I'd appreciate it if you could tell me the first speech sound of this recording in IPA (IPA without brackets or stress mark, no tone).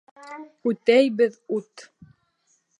ʉ